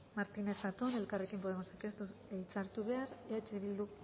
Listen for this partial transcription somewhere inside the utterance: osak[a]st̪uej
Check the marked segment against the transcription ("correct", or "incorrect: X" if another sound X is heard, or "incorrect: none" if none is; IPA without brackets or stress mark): incorrect: e